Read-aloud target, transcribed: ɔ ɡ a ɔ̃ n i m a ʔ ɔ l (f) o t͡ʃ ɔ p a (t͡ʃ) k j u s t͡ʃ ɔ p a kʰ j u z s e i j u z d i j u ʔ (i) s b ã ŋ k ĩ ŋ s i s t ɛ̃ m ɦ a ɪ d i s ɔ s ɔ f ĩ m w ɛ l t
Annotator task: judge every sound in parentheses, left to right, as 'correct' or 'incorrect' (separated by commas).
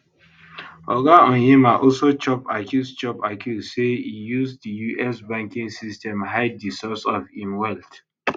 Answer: incorrect, incorrect, incorrect